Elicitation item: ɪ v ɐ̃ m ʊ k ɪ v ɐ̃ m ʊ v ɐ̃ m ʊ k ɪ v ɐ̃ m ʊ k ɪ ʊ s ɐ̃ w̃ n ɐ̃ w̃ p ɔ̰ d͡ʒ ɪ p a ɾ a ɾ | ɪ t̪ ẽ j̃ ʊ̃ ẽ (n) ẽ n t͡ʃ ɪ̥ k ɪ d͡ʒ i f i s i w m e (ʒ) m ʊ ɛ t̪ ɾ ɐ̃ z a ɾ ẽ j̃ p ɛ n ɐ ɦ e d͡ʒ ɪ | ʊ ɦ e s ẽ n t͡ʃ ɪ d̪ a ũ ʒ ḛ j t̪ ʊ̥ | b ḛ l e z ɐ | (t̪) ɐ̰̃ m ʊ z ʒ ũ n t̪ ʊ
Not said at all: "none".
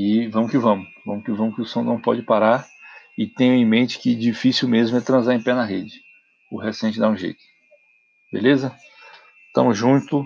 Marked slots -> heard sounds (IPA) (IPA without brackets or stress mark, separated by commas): m, z, t̪